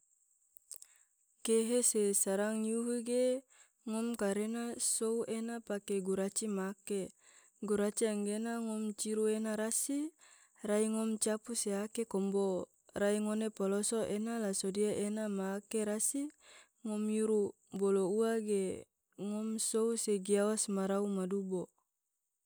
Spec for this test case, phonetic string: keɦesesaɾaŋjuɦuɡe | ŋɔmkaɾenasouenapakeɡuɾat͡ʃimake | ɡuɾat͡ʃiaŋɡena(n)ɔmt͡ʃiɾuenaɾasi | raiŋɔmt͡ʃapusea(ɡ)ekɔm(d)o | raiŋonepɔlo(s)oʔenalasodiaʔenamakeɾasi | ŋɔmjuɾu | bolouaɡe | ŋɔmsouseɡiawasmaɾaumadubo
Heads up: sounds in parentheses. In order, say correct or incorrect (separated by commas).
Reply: incorrect, incorrect, incorrect, correct